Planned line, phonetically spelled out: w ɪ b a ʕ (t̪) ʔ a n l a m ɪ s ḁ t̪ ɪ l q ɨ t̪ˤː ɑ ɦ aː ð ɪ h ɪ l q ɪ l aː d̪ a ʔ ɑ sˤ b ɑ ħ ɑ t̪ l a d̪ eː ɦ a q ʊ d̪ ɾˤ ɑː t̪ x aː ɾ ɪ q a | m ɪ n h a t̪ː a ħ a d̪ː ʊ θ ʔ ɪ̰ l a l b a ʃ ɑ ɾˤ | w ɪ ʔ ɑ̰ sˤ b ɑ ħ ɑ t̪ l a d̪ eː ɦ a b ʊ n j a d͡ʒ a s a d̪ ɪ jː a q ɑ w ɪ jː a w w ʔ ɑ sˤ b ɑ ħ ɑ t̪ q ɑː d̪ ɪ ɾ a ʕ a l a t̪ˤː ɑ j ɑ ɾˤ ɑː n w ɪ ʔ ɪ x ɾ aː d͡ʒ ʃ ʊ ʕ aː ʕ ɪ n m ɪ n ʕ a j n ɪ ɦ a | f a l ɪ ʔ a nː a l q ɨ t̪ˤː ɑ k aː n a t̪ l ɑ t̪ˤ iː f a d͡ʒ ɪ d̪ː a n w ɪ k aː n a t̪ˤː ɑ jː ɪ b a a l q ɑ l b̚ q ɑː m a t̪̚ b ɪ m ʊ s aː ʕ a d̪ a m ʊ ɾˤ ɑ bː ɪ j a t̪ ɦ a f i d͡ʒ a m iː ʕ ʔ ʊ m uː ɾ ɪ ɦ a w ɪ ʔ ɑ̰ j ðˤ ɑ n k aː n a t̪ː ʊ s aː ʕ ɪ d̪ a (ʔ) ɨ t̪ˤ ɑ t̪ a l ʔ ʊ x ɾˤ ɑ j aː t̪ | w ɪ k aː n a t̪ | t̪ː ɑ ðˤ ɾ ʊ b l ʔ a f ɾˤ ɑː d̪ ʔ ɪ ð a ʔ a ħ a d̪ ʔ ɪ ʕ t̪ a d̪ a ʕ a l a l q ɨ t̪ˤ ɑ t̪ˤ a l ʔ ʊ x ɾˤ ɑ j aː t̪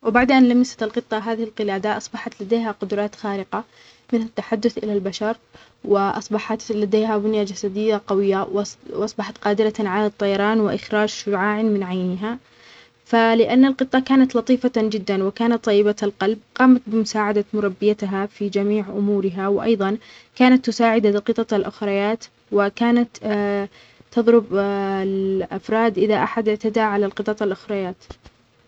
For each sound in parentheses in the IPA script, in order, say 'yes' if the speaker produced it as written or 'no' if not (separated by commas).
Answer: no, no